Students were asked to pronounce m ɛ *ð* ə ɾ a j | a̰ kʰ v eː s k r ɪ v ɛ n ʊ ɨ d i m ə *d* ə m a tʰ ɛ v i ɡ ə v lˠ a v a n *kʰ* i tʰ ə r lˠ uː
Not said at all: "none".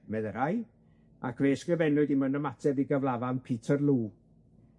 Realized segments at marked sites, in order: ð, n, pʰ

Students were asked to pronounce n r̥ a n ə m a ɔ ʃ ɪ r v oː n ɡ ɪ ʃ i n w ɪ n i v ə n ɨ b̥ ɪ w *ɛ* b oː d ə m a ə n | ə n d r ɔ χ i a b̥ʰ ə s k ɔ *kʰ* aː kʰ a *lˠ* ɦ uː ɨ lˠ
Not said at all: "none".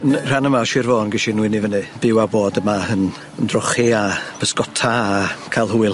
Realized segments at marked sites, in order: a, tʰ, lˠ

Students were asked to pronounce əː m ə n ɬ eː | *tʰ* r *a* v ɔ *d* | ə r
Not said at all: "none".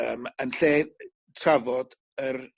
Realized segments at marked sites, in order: tʰ, a, d

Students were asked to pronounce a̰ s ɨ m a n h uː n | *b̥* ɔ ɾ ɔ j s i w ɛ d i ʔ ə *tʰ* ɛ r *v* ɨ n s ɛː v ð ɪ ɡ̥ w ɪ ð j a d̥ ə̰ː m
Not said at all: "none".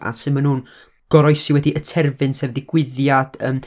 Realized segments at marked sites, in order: ɡ̥, tʰ, v

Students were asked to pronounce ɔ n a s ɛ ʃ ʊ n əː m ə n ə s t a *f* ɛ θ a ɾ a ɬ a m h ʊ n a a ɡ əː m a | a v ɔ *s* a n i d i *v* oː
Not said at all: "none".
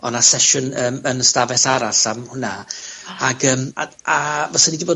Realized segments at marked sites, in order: v, s, b

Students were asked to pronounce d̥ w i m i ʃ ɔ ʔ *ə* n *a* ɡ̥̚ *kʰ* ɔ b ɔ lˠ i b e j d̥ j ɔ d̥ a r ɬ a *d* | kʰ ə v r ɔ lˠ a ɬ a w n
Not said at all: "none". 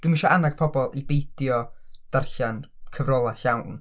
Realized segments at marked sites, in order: a, a, pʰ, n

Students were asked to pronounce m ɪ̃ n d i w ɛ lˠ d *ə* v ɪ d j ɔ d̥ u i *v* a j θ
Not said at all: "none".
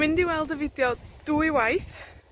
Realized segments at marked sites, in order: ə, w

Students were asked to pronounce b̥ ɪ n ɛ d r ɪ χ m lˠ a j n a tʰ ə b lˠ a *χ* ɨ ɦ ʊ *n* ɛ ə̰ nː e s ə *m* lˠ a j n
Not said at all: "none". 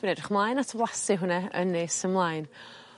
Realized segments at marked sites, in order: s, n, m

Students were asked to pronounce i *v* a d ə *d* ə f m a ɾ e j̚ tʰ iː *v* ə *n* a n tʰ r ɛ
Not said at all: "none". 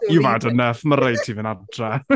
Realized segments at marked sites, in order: v, n, v, n

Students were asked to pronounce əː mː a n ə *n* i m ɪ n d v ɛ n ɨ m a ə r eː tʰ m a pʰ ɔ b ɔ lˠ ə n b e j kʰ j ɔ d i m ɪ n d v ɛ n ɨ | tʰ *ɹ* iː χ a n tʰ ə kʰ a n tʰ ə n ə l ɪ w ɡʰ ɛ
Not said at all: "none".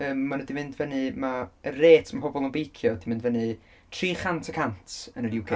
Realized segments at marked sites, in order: d, r

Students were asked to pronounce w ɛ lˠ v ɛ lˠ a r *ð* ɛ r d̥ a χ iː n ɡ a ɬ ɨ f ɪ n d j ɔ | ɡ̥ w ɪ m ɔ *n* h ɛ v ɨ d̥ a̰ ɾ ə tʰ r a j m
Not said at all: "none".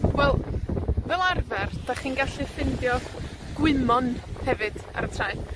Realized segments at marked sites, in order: v, n

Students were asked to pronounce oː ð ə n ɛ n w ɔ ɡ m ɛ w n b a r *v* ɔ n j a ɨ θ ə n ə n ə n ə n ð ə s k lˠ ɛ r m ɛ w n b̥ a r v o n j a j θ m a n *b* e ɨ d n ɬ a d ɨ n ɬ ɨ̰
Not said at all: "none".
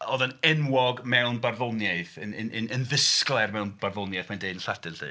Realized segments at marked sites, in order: v, d

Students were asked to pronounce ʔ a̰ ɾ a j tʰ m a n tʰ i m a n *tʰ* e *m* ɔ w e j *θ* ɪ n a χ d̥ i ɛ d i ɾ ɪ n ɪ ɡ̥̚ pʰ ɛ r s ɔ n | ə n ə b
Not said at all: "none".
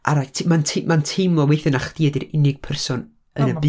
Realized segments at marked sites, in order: tʰ, m, θ

